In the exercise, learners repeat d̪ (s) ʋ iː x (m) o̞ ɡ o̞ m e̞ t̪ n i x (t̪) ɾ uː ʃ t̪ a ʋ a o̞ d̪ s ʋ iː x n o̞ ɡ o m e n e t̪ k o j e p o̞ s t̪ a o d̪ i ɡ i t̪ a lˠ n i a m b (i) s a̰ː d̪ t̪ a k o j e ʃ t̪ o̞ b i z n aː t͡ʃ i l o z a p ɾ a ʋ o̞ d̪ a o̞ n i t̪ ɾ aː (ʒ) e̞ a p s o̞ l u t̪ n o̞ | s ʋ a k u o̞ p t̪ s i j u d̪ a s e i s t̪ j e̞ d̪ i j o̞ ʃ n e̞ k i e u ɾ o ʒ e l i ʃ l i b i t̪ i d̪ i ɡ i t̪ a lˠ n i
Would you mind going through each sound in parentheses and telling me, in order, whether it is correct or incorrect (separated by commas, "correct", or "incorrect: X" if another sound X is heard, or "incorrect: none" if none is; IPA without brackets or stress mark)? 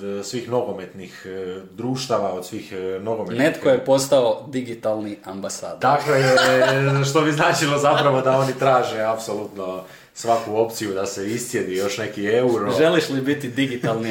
correct, incorrect: n, incorrect: d̪, incorrect: a, correct